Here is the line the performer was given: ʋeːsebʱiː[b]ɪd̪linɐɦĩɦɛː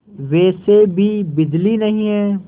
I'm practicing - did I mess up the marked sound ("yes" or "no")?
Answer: no